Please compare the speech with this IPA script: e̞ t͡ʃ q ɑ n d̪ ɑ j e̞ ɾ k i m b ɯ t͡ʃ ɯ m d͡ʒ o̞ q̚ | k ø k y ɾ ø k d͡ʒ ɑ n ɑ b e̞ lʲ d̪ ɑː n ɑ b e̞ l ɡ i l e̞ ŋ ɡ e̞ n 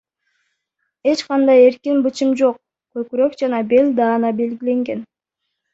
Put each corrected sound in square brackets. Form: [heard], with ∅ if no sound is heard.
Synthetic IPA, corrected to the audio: e̞ t͡ʃ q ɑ n d̪ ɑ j e̞ ɾ k i [n] b ɯ t͡ʃ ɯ m d͡ʒ o̞ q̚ | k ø k y ɾ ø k d͡ʒ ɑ n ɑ b e̞ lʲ d̪ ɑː n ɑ b e̞ l ɡ i l e̞ ŋ ɡ e̞ n